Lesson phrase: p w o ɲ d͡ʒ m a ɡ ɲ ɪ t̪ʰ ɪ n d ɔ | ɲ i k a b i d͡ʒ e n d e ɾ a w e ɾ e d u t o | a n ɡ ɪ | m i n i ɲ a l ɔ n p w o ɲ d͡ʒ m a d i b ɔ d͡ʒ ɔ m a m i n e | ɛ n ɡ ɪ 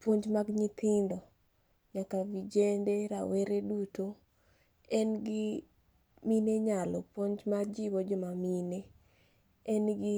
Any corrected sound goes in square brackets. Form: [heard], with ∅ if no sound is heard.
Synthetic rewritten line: p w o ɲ d͡ʒ m a ɡ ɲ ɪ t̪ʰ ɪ n d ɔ | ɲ [a] k a [v] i d͡ʒ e n d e ɾ a w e ɾ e d u t o | [ɛ] n ɡ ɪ | m i n [e] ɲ a l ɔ [∅] p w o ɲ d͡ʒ m a [d͡ʒ] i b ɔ d͡ʒ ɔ m a m i n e | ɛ n ɡ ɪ